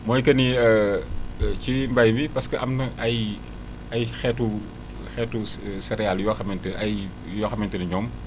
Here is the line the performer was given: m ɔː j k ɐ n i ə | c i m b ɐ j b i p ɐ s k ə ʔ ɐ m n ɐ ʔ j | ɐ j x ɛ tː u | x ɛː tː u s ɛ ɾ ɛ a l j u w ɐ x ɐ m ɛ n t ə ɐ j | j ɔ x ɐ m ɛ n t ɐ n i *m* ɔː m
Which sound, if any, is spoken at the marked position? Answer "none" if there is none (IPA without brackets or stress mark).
ɲ